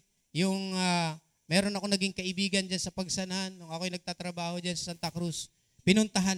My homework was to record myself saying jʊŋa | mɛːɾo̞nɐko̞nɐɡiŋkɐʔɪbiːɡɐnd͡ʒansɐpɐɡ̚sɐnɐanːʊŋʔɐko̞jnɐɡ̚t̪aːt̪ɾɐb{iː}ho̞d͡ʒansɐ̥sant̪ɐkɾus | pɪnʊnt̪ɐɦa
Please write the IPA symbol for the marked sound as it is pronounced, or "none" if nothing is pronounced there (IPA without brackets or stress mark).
aː